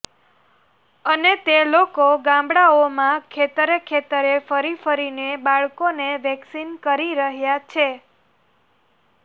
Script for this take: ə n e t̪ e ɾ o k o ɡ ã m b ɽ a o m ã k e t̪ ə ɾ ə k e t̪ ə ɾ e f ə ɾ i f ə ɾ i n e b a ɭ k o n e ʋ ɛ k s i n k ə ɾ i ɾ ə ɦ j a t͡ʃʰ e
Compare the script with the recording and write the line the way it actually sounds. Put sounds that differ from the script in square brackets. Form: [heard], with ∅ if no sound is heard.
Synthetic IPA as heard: ə n e t̪ e [l] o k o ɡ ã m b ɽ a o m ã [kʰ] e t̪ ə ɾ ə [kʰ] e t̪ ə ɾ e f ə ɾ i f ə ɾ i n e b a ɭ k o n e ʋ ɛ k s i n k ə ɾ i ɾ ə ɦ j a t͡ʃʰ e